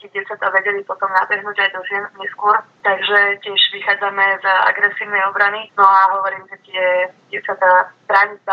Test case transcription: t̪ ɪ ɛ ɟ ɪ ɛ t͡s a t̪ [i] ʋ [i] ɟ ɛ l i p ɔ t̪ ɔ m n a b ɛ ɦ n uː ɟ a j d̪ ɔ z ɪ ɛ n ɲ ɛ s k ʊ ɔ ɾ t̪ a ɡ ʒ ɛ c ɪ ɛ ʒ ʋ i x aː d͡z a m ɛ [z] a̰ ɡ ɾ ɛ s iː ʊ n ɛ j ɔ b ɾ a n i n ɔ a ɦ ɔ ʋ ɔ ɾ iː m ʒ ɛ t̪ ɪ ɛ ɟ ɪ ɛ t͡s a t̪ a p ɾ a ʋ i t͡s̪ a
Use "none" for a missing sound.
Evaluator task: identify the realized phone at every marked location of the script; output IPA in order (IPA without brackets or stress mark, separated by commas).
a, ɛ, z